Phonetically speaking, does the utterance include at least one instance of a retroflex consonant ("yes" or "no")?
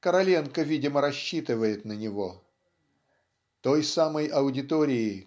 no